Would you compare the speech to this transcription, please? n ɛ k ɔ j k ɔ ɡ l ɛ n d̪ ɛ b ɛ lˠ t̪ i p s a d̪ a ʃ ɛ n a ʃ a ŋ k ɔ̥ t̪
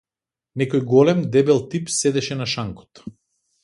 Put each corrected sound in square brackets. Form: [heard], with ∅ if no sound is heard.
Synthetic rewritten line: n ɛ k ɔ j [ɡ] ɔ [∅] l ɛ [m] d̪ ɛ b ɛ lˠ t̪ i p s [ɛ] d̪ [ɛ] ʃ ɛ n a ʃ a ŋ k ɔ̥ t̪